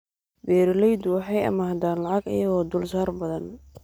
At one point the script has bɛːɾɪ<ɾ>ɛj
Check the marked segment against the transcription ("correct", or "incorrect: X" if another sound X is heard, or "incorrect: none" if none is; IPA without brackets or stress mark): incorrect: l